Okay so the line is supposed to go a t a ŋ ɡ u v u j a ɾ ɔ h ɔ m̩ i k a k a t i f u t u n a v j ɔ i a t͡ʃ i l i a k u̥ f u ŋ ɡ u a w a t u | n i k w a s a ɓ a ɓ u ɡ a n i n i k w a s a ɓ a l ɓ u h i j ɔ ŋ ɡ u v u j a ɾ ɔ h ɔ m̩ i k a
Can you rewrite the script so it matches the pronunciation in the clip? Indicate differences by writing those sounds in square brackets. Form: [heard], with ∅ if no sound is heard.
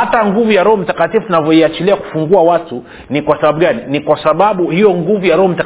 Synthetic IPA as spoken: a t a ŋ ɡ u v u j a ɾ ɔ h ɔ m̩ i [t] a k a t i f u t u n a v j ɔ i a t͡ʃ i l i a k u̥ f u ŋ ɡ u a w a t u | n i k w a s a ɓ a ɓ u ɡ a n i n i k w a s a ɓ a [∅] ɓ u h i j ɔ ŋ ɡ u v u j a ɾ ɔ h ɔ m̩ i [t] a